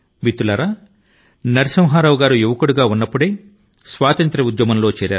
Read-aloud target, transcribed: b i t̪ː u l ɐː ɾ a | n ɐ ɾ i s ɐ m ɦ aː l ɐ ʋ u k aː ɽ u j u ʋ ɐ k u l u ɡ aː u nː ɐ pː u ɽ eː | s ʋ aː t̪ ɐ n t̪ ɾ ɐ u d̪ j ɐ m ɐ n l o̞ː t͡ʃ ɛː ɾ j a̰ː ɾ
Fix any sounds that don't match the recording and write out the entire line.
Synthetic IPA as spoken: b i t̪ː u l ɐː ɾ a | n ɐ ɾ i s ɐ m ɦ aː ɾ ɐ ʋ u ɡ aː ɾ u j u ʋ ɐ k u ɽ u ɡ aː u nː ɐ pː u ɽ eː | s ʋ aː t̪ ɐ n t̪ ɾ ɐ u d̪ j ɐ m ɐ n l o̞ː t͡ʃ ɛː ɾ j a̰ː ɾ